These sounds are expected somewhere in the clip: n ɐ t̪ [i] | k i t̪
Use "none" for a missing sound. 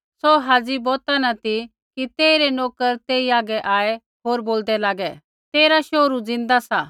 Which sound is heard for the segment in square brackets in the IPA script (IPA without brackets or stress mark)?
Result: i